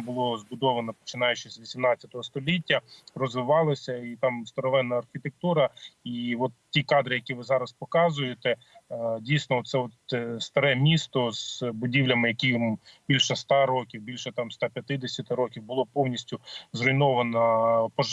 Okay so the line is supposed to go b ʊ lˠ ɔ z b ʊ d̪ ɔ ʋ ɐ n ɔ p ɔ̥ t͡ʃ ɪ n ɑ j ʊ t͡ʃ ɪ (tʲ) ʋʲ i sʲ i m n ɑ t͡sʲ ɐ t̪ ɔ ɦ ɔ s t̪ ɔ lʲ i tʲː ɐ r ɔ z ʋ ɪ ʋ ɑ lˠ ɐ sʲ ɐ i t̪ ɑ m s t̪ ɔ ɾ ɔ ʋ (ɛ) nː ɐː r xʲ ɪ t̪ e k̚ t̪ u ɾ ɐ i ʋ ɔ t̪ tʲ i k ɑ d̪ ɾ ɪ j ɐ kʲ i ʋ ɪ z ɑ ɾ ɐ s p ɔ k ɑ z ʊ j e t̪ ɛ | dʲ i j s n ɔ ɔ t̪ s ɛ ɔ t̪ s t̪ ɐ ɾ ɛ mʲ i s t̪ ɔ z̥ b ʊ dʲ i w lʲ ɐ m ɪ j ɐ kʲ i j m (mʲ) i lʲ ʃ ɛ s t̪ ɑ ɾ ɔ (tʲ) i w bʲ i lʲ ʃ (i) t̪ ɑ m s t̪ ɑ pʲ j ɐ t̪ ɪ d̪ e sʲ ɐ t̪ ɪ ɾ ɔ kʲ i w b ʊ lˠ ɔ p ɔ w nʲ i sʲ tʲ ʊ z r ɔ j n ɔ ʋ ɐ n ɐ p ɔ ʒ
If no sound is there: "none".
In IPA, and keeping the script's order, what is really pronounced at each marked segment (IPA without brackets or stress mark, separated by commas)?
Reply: sʲ, ɛ, bʲ, kʲ, ɛ